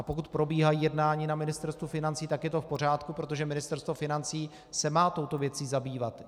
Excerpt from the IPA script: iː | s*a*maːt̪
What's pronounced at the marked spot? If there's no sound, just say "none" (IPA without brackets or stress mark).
ɛ